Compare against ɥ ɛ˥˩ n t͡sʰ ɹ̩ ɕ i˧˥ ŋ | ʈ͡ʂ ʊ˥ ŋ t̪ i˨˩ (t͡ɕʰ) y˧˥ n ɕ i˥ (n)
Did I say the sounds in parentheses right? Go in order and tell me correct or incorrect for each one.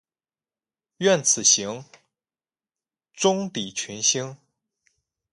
correct, incorrect

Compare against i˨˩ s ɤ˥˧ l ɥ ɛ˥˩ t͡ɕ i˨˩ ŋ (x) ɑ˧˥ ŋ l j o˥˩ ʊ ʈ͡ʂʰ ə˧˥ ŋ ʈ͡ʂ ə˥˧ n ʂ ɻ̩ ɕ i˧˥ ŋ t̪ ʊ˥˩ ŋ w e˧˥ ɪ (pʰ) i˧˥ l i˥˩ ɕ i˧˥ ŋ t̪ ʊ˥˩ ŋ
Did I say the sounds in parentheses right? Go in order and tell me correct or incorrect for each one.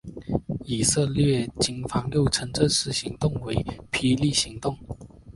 incorrect, correct

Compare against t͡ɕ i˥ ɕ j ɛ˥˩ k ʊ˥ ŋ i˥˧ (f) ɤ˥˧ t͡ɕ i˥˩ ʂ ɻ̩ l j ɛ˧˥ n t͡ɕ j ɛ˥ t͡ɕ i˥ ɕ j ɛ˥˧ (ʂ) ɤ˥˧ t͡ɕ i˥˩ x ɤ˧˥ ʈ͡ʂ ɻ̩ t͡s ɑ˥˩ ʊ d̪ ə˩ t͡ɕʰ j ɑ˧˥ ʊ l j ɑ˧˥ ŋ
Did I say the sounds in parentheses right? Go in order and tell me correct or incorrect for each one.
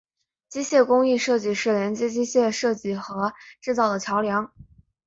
incorrect, correct

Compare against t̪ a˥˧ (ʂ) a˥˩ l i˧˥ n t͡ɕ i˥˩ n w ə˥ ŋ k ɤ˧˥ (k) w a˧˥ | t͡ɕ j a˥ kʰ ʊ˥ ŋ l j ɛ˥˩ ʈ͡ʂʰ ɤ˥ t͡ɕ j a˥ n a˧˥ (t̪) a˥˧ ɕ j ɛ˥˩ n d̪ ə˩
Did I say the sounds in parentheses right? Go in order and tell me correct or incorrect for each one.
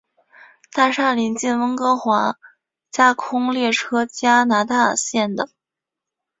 correct, incorrect, correct

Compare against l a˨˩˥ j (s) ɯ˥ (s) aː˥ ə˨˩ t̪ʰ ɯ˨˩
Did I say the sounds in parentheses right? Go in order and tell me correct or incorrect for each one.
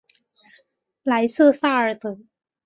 correct, correct

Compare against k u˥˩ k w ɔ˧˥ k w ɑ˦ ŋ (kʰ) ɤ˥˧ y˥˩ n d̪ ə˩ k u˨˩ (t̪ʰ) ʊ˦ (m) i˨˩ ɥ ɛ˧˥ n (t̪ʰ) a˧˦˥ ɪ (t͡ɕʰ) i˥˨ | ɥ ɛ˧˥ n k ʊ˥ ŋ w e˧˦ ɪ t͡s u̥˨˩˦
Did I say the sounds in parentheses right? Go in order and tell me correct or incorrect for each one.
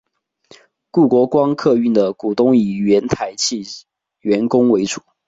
correct, incorrect, incorrect, correct, correct

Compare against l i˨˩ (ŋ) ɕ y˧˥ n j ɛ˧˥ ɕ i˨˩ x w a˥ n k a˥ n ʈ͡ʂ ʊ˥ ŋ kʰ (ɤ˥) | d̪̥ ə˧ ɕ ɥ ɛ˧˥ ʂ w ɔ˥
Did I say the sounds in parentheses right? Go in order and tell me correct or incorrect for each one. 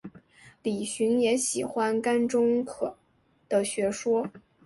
incorrect, incorrect

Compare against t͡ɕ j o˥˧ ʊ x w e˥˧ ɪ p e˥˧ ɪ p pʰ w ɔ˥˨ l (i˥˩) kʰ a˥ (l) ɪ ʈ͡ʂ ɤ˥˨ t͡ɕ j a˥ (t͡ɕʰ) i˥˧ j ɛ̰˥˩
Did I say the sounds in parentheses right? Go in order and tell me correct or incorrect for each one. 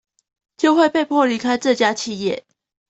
incorrect, incorrect, correct

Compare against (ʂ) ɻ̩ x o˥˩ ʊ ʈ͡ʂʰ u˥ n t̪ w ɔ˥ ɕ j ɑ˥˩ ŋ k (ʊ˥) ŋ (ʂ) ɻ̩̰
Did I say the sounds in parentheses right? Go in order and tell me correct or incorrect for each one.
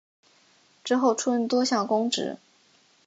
incorrect, correct, incorrect

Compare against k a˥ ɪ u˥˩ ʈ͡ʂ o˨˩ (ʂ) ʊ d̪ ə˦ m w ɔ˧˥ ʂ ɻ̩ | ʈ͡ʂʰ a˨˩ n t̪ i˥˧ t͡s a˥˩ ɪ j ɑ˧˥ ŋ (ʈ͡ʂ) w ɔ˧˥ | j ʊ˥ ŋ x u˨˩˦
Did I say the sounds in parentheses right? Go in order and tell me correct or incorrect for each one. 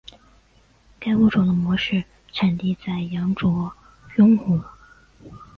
incorrect, correct

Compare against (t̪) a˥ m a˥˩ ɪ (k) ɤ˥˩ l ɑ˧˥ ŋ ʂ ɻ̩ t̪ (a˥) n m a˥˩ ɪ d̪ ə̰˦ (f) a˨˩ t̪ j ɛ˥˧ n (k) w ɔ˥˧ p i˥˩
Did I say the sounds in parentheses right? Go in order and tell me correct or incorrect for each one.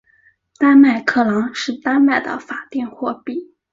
correct, incorrect, correct, correct, incorrect

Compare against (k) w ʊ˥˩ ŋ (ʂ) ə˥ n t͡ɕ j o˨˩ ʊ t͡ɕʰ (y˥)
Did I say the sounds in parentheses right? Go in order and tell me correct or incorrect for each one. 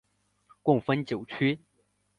correct, incorrect, correct

